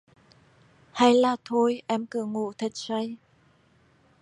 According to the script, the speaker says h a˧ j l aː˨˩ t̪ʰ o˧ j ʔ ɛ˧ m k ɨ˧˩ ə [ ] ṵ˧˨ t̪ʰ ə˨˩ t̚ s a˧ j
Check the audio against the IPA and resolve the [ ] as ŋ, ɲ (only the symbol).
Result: ŋ